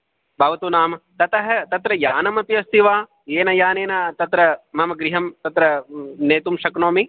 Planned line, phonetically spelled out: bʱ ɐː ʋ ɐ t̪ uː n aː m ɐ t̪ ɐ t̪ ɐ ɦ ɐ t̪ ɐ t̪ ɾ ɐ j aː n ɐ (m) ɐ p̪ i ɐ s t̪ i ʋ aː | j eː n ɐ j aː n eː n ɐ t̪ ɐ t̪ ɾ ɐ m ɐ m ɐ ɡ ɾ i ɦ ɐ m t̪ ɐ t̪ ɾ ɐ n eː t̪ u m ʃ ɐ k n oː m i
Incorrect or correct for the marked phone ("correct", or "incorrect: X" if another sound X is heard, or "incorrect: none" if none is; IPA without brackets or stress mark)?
correct